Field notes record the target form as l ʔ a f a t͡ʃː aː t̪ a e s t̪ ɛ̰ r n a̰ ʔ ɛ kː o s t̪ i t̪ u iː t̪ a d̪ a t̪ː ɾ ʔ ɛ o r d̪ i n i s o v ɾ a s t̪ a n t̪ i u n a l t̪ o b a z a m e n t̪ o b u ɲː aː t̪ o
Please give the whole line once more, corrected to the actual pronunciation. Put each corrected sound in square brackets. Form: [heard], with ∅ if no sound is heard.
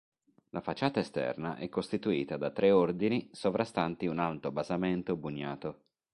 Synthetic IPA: l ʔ a f a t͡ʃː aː t̪ a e s t̪ ɛ̰ r n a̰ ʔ ɛ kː o s t̪ i t̪ u iː t̪ a d̪ a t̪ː ɾ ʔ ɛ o r d̪ i n i s o v ɾ a s t̪ a n t̪ i u n a l t̪ o b a z a m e n t̪ o b u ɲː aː t̪ o